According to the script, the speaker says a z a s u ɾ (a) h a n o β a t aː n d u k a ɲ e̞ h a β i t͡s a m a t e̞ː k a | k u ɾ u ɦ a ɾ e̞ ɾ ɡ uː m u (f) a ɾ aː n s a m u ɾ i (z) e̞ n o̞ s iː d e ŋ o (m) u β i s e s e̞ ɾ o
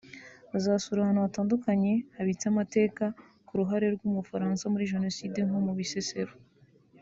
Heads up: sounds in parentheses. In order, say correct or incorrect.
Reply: correct, correct, incorrect: ʒ, correct

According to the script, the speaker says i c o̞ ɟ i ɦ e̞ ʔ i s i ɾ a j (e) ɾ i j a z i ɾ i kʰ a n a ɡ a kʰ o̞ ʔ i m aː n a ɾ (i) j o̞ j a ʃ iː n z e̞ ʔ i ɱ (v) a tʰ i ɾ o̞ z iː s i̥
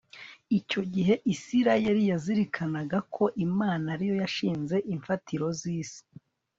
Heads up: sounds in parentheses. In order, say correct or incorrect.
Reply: correct, correct, incorrect: f

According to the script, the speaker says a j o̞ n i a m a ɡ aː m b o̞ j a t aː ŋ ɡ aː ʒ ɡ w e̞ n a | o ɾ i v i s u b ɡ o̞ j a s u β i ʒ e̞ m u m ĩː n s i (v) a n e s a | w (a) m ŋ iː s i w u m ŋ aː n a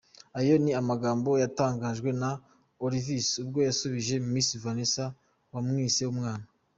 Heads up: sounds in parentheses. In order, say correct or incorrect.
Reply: correct, correct

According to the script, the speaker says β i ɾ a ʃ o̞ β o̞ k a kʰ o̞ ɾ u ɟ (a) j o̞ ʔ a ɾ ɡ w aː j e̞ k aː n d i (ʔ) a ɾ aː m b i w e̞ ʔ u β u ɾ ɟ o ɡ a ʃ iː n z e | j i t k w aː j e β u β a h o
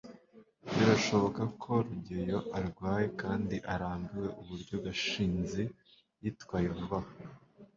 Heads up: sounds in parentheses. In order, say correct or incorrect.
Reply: incorrect: e, correct

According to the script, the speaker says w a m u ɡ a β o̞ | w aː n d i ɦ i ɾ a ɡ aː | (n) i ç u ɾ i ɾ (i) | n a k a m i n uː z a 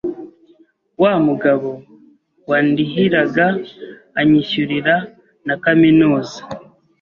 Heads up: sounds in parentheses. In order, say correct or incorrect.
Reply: incorrect: ɲ, incorrect: a

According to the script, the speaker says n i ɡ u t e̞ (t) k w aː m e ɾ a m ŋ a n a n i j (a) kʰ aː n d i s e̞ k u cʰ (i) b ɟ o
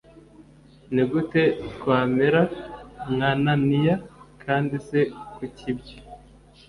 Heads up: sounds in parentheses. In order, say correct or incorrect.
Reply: correct, correct, correct

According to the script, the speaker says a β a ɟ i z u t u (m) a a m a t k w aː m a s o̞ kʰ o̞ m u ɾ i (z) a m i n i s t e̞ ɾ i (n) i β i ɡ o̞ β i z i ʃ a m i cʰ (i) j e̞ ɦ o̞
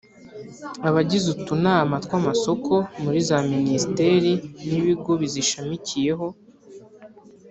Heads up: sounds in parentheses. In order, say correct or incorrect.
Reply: incorrect: n, correct, correct, correct

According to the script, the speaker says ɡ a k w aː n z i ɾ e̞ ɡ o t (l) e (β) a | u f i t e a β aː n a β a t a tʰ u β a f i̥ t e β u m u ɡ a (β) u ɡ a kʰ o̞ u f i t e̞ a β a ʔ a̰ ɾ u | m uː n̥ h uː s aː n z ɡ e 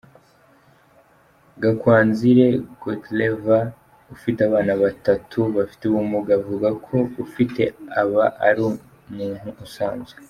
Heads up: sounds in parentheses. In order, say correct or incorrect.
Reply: correct, incorrect: v, incorrect: v

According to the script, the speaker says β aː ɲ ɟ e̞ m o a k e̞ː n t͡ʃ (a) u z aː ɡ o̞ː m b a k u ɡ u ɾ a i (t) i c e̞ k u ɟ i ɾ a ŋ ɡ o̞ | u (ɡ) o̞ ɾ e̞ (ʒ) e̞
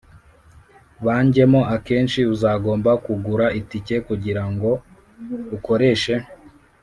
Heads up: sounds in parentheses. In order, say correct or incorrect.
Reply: incorrect: i, correct, incorrect: k, incorrect: ʃ

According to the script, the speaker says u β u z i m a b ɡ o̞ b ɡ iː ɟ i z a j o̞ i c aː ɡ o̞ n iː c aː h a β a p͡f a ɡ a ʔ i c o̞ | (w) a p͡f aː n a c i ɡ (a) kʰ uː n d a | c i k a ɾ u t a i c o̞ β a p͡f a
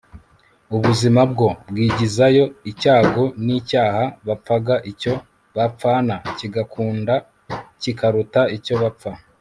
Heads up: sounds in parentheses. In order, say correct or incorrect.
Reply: incorrect: β, correct

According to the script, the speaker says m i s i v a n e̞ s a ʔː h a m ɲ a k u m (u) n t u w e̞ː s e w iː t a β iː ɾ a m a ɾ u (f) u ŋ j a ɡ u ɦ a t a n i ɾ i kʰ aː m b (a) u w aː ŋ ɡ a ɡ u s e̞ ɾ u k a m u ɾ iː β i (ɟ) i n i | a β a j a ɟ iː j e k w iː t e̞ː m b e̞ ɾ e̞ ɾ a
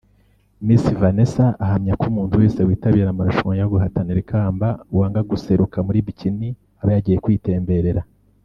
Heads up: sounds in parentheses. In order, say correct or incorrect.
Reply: incorrect: uː, incorrect: ʃ, correct, incorrect: c

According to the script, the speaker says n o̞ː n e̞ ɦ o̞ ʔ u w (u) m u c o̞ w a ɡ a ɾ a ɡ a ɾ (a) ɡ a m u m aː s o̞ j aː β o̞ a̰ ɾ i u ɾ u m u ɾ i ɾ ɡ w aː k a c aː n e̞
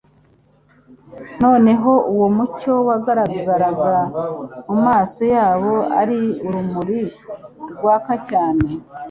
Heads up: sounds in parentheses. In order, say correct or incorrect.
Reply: incorrect: o, correct

